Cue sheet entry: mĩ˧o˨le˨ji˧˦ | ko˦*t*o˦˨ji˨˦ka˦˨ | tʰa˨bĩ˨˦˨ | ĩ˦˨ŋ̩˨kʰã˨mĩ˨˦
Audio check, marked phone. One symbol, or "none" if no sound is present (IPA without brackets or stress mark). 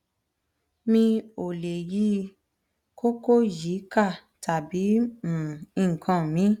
k